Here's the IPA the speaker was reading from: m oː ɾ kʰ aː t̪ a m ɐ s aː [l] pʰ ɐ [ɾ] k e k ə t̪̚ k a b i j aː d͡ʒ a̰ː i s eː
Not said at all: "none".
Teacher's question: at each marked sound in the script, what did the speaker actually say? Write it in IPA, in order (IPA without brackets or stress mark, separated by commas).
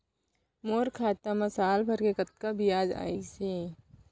l, ɾ